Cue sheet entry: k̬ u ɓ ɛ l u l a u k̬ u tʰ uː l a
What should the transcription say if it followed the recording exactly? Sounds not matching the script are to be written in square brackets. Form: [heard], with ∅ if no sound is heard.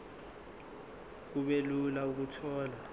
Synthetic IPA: k̬ u ɓ [e] l u l a u k̬ u tʰ [ɔː] l a

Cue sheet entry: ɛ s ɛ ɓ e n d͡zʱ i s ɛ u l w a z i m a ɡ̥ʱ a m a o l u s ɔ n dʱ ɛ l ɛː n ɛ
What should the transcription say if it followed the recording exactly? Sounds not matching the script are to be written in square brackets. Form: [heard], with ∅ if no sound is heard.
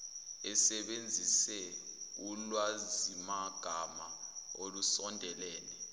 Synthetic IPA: ɛ s ɛ ɓ e n d͡zʱ i s ɛ u l w a z i m a ɡ̥ʱ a m a o l u s ɔ n dʱ ɛ l ɛː n ɛ

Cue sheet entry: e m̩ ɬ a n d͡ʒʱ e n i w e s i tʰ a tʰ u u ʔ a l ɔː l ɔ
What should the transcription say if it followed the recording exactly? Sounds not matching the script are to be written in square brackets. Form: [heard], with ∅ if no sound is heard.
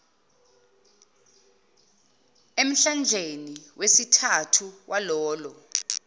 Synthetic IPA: e m̩ ɬ a n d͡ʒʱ e n i w e s i tʰ a tʰ u [w] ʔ a l ɔː l ɔ

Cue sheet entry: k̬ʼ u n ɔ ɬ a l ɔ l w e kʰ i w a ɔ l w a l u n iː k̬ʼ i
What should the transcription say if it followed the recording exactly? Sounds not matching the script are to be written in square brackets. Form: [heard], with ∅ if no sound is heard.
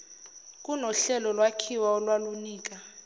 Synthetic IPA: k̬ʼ u n ɔ ɬ [ɛ] l ɔ l w [a] kʰ i w a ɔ l w a l u n iː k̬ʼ [a]

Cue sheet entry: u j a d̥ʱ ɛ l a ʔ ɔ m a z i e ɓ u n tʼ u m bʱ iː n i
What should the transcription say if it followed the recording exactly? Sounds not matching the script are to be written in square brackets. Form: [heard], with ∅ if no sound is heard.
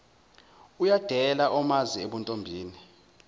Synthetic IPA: u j a d̥ʱ ɛ l a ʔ ɔ m a z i e ɓ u n tʼ [o] m bʱ iː n i

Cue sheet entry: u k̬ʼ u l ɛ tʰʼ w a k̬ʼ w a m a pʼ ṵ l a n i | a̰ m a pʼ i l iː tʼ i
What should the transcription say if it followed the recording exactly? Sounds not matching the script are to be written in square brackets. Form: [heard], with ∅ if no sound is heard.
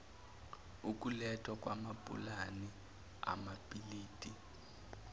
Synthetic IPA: u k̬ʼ u l ɛ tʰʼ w a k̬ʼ w a m a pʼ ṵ l a n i | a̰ m a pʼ i l iː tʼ i

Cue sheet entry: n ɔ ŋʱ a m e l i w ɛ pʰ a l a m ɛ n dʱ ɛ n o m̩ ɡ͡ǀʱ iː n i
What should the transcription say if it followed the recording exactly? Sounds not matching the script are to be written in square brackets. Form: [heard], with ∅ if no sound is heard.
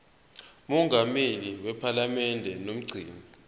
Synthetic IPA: [m] ɔ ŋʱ a m e l i w ɛ pʰ a l a m ɛ n dʱ ɛ n o m̩ ɡ͡ǀʱ iː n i

